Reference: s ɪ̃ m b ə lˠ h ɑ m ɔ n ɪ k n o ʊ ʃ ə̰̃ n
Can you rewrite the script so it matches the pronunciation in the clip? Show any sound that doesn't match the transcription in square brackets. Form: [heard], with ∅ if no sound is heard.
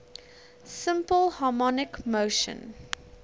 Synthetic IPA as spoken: s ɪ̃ m [p] ə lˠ h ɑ m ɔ n ɪ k [m] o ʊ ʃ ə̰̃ n